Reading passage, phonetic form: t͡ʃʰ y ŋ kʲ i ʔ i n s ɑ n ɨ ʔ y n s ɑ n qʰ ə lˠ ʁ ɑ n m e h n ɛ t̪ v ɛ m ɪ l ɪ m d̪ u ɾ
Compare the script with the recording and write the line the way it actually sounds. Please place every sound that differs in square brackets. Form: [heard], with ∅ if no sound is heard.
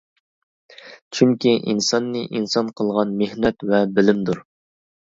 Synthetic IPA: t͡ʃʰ y ŋ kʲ i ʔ i n s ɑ [nː] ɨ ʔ [i] n s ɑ n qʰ ə lˠ ʁ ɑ n m e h n ɛ t̪ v ɛ [b] ɪ l ɪ m d̪ u ɾ